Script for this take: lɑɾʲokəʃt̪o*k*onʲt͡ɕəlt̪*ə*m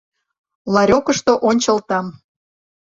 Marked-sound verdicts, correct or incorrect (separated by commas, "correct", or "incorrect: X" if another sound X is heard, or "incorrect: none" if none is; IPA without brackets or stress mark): incorrect: ʔ, incorrect: ɑ